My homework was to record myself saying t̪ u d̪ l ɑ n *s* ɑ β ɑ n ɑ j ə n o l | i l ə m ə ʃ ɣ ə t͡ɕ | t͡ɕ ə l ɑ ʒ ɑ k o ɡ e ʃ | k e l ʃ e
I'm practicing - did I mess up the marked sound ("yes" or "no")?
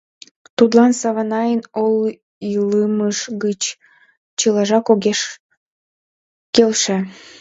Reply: no